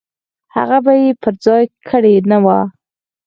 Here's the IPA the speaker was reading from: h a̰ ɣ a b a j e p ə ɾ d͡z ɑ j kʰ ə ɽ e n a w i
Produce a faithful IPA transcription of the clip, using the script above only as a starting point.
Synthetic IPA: h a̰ ɣ a b a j e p ə ɾ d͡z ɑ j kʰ ə ɽ e n a w a